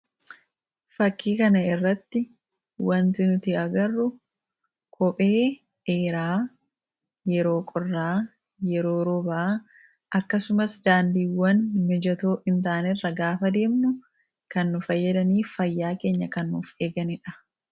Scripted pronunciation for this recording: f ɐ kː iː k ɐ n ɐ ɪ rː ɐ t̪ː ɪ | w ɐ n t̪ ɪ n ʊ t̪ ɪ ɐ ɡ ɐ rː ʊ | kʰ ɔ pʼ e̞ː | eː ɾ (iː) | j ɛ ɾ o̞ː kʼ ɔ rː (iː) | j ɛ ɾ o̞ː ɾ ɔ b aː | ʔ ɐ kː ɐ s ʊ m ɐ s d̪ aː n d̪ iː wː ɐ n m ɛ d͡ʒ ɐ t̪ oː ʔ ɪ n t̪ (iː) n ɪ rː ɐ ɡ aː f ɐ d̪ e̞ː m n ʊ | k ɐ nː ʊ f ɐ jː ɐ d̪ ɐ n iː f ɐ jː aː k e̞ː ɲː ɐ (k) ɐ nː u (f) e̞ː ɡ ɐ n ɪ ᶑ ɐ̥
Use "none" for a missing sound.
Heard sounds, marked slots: aː, aː, aː, k, f

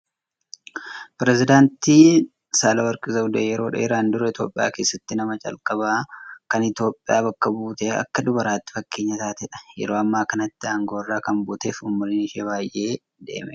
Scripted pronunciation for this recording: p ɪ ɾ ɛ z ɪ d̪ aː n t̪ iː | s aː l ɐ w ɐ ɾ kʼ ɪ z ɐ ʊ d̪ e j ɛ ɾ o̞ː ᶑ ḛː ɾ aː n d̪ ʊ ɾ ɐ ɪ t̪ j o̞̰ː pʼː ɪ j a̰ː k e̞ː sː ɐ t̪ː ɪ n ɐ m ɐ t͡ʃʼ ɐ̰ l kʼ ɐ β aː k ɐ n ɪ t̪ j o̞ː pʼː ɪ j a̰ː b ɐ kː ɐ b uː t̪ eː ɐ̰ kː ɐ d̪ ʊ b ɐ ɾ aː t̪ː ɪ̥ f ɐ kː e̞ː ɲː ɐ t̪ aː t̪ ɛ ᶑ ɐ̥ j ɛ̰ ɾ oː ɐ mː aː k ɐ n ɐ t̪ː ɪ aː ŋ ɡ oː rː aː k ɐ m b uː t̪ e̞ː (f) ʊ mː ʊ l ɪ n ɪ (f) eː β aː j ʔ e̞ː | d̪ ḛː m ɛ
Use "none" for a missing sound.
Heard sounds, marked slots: f, ʃ

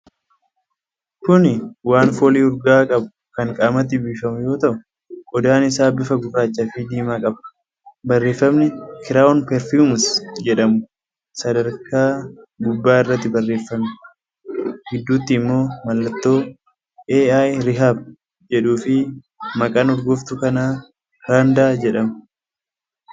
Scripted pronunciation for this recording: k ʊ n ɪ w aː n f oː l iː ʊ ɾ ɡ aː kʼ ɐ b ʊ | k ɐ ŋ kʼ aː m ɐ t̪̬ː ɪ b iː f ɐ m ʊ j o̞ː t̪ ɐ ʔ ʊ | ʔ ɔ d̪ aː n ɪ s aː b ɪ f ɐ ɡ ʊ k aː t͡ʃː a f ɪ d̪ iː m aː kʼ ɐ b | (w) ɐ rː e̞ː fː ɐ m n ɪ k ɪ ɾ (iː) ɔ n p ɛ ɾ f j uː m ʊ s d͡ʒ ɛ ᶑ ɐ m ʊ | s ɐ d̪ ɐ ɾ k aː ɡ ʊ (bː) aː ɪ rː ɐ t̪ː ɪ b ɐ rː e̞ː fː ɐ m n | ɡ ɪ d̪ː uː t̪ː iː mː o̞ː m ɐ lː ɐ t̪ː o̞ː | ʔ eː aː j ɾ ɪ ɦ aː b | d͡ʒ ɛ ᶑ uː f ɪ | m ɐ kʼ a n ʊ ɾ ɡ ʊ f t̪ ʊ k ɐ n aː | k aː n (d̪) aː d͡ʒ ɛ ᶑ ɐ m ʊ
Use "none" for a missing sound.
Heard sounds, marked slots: b, aː, bː, d̪

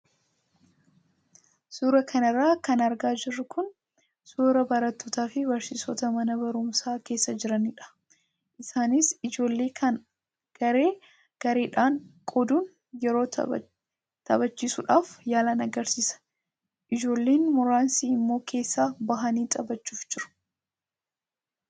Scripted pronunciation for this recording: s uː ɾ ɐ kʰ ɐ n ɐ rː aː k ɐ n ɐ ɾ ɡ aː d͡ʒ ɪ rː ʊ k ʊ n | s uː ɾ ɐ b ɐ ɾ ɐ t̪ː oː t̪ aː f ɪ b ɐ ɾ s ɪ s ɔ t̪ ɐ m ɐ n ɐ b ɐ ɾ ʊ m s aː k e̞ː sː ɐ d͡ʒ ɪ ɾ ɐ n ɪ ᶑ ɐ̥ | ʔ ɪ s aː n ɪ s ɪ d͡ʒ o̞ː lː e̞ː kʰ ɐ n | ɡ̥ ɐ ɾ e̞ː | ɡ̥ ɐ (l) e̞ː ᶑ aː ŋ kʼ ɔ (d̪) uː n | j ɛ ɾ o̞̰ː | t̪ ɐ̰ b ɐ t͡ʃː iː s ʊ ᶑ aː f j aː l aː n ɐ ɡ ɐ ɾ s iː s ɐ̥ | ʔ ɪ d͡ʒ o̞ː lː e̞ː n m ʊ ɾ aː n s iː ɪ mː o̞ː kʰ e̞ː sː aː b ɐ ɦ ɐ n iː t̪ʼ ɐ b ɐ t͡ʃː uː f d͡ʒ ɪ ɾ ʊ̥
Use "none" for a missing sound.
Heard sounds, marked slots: ɾ, d̪

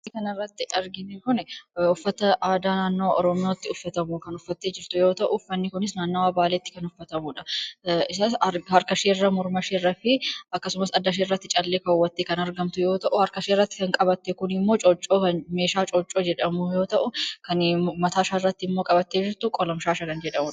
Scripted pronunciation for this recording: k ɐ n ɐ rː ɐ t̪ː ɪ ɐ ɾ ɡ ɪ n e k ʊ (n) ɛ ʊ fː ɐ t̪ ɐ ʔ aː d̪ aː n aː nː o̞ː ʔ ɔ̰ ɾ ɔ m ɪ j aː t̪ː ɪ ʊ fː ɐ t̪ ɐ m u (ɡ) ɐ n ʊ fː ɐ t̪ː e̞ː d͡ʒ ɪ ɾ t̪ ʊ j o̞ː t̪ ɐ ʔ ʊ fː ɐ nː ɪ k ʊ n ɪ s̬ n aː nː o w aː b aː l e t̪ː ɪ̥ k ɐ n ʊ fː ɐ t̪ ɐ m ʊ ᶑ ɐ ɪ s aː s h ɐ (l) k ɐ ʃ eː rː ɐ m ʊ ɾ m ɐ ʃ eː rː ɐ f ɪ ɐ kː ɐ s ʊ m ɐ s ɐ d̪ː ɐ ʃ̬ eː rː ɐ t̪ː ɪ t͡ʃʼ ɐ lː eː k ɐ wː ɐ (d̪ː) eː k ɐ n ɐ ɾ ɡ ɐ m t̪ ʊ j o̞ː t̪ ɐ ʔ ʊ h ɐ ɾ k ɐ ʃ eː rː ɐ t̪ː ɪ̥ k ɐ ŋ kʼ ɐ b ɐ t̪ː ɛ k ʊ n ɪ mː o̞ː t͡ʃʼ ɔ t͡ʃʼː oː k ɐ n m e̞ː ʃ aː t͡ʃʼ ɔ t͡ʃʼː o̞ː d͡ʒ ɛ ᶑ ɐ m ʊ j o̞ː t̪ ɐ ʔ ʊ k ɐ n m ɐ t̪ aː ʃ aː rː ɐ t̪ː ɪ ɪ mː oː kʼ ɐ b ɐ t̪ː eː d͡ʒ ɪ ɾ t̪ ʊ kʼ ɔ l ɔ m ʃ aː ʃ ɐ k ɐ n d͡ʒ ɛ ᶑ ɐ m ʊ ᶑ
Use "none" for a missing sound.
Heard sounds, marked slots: n, k, ɾ, t̪ː

